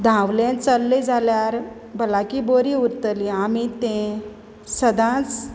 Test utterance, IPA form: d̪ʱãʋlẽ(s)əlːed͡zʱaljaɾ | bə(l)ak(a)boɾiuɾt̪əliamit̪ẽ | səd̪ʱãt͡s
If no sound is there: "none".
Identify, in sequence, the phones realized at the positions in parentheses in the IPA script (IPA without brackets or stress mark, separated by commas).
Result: t͡s, l, i